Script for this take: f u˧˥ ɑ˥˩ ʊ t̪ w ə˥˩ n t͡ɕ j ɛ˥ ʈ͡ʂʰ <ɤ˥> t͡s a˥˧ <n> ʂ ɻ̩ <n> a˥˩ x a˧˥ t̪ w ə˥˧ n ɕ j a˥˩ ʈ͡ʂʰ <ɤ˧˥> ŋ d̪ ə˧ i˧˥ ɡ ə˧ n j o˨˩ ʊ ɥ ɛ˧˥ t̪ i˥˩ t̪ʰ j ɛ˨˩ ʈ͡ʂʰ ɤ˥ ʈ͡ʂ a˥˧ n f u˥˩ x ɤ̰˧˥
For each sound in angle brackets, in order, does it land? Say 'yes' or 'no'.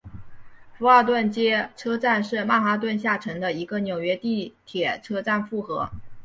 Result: yes, yes, no, yes

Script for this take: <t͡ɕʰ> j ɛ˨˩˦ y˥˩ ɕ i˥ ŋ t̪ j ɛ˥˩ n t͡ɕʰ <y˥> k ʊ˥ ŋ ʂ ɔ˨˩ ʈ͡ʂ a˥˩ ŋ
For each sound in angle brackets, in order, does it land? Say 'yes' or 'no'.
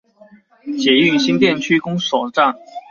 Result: no, yes

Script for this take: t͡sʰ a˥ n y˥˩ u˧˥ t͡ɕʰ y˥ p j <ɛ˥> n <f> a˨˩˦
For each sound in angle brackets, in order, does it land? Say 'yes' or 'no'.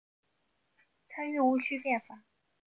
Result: no, yes

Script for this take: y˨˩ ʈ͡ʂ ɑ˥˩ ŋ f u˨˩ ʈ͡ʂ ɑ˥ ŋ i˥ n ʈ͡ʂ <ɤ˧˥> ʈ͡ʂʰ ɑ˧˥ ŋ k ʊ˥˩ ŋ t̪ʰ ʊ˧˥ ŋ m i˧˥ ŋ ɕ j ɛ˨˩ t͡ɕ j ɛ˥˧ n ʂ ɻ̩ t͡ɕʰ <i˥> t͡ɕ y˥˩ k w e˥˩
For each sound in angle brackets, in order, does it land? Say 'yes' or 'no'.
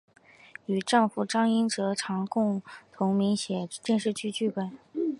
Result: yes, no

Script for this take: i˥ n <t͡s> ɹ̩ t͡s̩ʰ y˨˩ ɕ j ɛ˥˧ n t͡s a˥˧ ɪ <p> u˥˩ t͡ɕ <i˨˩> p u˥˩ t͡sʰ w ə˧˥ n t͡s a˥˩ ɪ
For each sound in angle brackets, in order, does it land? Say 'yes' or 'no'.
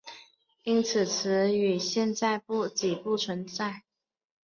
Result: no, yes, yes

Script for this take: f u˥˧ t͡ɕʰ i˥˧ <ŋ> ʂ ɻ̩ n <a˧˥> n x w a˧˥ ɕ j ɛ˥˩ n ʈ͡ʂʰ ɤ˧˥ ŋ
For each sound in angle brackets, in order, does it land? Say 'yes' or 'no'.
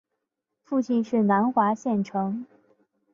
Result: no, yes

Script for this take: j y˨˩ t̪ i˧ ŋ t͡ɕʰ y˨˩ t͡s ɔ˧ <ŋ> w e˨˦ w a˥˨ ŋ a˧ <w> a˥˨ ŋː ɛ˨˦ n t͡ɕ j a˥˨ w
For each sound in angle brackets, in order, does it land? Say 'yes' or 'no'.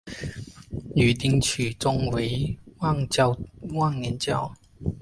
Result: yes, yes

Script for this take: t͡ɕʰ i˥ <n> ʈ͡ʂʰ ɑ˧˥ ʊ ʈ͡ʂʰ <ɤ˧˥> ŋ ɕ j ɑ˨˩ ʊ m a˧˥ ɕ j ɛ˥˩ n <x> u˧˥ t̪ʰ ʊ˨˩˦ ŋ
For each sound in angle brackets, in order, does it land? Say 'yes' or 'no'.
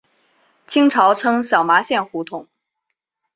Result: no, no, yes

